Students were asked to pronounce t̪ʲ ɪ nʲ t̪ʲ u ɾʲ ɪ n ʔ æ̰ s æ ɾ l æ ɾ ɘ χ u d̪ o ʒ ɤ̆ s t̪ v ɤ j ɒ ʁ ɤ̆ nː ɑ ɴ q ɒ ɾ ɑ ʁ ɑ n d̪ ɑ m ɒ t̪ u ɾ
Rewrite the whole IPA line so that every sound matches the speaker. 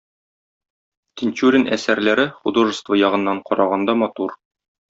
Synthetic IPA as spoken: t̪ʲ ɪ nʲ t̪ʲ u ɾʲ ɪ n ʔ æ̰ s æ ɾ l æ ɾ ɘ χ u d̪ o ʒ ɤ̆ s t̪ v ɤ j ɒ ʁ ɤ̆ nː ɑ ɴ q ɒ ɾ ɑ ʁ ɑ n d̪ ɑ m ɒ t̪ u ɾ